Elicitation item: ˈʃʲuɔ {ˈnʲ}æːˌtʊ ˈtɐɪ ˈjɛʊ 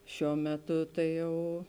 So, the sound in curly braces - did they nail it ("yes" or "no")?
no